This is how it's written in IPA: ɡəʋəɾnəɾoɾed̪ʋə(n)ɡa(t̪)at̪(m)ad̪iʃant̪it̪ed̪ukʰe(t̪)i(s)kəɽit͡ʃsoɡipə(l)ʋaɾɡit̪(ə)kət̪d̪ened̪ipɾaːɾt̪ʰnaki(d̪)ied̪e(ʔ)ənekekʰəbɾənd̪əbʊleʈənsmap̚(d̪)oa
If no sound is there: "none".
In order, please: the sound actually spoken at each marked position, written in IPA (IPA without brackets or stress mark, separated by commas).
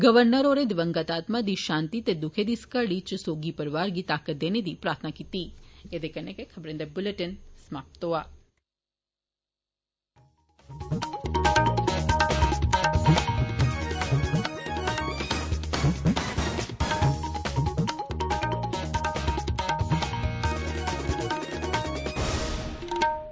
ŋ, t̪, m, d̪, s, ɾ, a, t̪, k, t̪